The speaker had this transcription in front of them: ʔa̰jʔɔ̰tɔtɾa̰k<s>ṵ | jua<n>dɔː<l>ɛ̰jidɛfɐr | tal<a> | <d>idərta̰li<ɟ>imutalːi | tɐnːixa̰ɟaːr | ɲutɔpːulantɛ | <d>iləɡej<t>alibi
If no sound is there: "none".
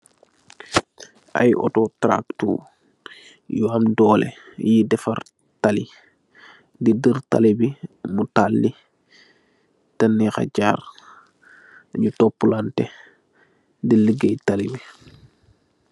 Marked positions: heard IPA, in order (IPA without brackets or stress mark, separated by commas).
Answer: t, m, l, i, d, b, d, t